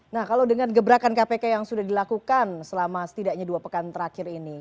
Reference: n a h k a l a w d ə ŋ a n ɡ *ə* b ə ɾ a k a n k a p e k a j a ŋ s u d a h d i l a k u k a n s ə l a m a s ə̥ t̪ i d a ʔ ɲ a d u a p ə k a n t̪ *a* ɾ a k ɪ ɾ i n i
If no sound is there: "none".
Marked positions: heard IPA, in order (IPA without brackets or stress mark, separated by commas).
ə, ə